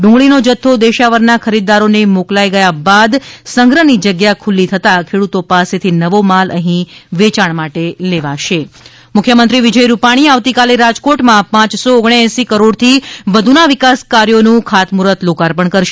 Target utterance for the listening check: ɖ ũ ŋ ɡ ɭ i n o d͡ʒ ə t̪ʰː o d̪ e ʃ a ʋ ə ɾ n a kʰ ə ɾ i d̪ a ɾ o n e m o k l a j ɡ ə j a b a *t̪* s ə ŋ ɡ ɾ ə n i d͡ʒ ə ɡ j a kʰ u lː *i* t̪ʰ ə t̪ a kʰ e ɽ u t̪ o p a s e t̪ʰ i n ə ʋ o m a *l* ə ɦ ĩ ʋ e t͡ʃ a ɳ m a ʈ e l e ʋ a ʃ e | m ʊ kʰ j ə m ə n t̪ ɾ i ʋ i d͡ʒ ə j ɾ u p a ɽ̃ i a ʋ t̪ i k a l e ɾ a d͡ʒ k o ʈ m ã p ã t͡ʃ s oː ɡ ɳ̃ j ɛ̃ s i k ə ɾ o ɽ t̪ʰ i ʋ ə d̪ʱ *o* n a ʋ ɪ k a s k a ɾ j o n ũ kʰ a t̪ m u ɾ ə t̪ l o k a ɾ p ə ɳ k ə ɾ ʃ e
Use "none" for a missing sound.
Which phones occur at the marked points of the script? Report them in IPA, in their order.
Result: d̪, i, l, u

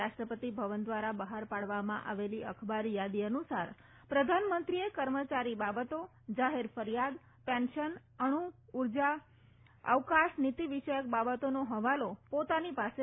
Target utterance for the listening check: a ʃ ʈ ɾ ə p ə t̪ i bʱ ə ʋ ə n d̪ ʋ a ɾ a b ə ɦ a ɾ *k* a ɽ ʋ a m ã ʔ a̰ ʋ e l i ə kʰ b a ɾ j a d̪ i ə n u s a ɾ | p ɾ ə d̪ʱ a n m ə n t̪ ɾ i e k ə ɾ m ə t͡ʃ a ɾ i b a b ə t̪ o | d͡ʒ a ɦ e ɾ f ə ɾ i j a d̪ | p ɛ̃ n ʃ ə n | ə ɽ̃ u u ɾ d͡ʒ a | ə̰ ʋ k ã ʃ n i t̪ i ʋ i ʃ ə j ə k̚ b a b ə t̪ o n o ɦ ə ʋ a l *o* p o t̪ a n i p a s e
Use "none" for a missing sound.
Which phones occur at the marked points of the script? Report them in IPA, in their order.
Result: p, o

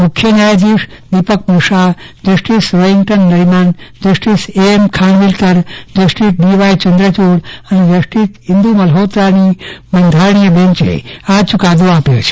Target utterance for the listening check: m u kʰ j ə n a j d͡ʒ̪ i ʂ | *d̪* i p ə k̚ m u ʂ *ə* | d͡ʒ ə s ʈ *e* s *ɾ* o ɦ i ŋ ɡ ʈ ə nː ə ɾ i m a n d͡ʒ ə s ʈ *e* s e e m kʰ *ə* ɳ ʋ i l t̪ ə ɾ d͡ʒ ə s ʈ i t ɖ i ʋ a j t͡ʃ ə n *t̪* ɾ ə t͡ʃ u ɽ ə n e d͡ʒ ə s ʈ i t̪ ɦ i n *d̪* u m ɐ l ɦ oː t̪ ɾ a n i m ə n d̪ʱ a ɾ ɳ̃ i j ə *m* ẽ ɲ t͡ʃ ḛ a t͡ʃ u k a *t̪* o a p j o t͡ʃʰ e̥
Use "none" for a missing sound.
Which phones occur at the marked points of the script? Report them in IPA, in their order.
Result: d̪, a, i, ɾ, i, a, d̪, d̪, b, d̪

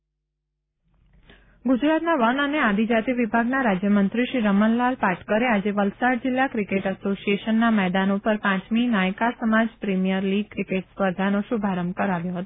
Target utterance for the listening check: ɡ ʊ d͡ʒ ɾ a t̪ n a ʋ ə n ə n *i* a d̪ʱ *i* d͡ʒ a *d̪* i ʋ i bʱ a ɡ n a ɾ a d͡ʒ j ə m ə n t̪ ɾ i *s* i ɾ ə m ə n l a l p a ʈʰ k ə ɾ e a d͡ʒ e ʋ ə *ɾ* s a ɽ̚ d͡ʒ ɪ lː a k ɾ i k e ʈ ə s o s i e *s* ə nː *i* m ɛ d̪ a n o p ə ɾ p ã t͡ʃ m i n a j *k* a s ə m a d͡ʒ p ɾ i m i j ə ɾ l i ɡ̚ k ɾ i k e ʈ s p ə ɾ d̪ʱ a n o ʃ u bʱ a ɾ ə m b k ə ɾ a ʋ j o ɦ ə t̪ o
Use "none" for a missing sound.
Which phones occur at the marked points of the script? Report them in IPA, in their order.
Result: e, i, t̪, ʃ, l, ʃ, a, k

